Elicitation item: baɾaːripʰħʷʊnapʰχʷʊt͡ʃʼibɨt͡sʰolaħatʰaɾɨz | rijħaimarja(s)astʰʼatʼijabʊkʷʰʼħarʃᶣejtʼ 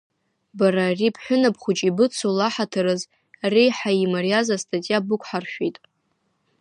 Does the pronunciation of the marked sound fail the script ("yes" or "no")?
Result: yes